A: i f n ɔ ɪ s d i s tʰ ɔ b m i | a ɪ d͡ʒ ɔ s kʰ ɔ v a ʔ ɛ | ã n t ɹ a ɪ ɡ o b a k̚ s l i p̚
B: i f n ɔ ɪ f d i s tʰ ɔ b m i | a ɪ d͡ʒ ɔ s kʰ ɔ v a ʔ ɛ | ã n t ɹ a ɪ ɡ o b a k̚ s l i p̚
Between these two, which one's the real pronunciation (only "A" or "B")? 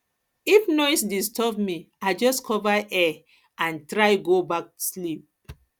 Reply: A